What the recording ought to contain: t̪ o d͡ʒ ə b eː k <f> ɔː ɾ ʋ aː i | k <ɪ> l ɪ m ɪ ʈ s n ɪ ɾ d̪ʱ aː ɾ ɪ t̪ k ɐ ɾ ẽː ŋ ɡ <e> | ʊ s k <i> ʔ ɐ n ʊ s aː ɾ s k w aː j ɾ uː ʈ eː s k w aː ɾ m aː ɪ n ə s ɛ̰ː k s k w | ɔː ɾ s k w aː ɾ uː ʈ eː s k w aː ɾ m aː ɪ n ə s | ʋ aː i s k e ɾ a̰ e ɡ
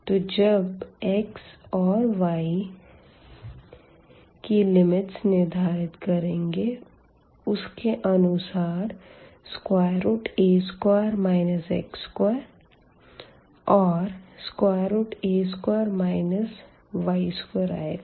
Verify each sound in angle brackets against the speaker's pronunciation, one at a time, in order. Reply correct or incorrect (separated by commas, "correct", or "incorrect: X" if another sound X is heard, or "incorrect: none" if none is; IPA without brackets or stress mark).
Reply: incorrect: s, incorrect: i, correct, incorrect: e